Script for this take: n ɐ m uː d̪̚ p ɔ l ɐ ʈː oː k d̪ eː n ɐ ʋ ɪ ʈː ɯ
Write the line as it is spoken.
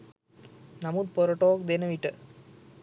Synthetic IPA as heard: n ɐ m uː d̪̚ p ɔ ɾ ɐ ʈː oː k d̪ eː n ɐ ʋ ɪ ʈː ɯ